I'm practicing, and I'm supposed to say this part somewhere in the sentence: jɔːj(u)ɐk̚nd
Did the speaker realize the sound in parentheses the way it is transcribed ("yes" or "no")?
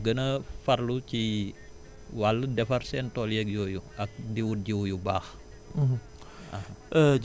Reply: yes